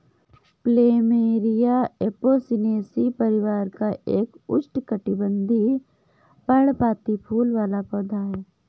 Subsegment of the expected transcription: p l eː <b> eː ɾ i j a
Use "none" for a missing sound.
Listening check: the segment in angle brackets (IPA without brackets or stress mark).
m